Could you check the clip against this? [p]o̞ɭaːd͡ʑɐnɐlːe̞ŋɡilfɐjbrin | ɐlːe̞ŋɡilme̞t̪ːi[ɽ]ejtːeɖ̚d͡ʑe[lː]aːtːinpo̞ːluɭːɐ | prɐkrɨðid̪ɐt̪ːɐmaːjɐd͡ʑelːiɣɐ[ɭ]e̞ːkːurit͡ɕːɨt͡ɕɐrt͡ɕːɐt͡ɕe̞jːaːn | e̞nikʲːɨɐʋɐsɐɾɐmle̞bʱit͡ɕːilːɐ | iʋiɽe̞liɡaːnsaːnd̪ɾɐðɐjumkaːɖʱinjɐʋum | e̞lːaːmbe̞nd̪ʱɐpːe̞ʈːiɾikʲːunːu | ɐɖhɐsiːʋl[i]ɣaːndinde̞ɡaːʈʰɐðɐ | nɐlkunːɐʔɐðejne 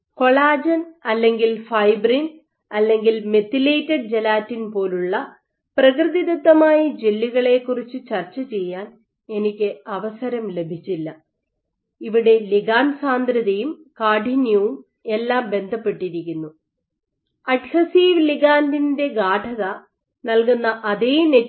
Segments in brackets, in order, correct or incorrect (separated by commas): incorrect, incorrect, incorrect, correct, correct